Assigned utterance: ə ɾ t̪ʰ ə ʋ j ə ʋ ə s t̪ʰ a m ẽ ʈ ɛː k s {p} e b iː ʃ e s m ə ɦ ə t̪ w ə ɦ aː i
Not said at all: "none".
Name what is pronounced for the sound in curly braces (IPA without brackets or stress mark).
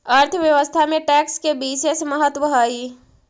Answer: k